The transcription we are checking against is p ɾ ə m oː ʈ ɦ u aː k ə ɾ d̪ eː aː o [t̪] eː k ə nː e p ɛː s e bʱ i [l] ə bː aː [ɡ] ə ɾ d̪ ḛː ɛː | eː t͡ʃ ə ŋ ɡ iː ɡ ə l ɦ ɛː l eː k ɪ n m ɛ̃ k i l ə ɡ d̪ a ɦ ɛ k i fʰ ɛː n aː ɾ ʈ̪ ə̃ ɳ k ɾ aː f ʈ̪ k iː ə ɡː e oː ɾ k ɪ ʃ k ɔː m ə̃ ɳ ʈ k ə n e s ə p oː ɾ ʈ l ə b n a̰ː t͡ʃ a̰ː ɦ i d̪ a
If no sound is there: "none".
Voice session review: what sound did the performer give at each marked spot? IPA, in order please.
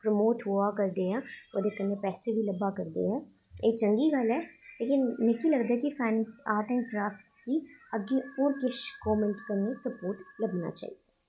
d̪, l, k

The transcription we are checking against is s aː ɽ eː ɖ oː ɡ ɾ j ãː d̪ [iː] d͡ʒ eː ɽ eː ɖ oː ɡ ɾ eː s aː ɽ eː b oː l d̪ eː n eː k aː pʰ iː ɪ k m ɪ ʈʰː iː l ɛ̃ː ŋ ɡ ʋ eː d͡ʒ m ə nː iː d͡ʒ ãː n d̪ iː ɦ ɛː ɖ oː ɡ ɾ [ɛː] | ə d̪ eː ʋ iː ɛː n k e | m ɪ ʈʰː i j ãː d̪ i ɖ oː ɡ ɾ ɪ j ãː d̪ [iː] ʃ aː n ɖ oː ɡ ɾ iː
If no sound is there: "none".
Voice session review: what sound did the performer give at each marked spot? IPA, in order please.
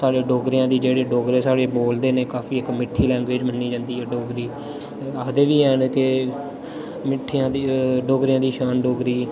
iː, iː, iː

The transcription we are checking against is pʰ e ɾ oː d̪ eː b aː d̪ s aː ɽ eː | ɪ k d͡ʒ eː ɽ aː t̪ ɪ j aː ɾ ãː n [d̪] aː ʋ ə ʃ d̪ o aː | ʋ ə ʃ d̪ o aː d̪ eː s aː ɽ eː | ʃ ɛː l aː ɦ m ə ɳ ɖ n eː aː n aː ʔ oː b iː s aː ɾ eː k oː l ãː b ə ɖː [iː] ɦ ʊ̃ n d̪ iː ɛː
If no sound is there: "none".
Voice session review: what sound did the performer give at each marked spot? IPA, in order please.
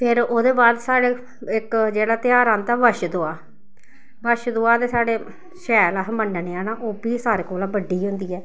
t̪, iː

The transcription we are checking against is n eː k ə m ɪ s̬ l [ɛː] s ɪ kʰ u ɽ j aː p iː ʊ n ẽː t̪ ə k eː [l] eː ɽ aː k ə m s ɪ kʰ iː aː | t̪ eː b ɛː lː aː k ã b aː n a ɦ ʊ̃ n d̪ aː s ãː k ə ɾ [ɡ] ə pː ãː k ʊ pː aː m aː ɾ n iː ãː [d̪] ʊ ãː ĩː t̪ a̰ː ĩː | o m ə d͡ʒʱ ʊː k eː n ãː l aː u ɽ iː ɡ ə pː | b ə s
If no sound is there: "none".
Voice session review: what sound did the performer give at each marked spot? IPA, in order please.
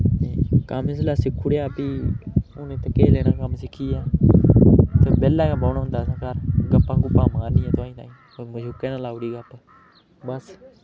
aː, l, ɡ, t̪

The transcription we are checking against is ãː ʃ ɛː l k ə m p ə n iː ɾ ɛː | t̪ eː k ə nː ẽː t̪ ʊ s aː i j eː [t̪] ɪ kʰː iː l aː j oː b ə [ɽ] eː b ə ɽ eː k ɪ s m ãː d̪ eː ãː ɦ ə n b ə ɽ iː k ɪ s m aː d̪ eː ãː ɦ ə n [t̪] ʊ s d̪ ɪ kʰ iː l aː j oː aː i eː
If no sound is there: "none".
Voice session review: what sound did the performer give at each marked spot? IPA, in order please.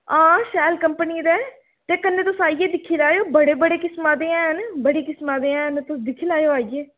d̪, ɽ, t̪

